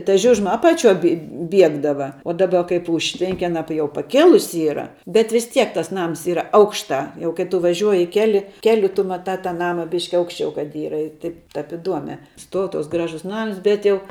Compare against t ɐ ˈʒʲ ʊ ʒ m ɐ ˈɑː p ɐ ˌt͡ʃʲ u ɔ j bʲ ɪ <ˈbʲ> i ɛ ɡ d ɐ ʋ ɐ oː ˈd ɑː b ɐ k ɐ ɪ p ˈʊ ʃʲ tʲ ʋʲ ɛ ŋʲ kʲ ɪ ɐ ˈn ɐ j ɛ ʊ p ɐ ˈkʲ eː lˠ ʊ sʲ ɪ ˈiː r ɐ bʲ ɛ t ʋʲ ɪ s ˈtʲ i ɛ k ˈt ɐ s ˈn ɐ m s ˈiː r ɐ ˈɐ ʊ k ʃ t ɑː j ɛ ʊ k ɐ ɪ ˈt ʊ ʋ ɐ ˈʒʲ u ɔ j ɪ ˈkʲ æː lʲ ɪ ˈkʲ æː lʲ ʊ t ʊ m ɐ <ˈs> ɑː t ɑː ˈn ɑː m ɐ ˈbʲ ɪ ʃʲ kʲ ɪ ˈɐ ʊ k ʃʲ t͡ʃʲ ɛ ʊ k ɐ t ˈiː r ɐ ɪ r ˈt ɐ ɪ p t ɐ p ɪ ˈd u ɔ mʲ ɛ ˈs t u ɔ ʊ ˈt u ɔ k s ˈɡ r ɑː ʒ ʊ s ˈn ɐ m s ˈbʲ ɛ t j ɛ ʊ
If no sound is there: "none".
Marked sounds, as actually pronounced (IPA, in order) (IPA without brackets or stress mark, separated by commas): bʲ, t